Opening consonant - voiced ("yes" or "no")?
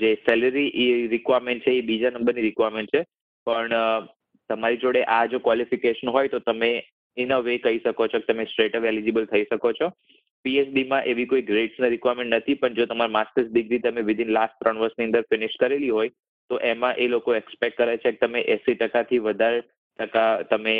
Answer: yes